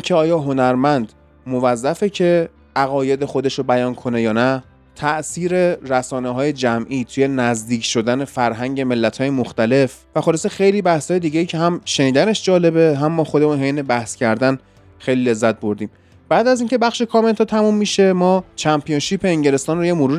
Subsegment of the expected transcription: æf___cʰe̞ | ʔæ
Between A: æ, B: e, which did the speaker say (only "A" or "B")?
B